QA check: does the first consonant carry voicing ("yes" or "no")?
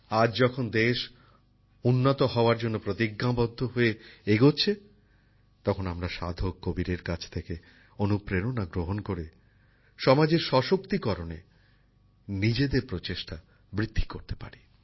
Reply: yes